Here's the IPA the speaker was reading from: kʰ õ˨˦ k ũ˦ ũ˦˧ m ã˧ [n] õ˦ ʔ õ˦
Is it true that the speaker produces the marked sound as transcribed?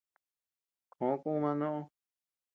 yes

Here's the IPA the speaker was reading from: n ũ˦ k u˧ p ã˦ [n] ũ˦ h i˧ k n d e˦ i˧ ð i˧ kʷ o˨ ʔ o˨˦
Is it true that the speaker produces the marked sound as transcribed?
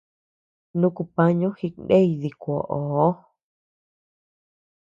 no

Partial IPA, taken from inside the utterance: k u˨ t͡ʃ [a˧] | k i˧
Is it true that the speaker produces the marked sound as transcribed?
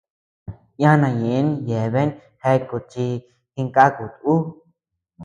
no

